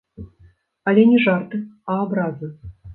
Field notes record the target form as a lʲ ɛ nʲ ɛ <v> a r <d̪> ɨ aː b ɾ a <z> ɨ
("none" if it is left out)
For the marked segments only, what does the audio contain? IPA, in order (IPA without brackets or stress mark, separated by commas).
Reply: ʐ, t̪, z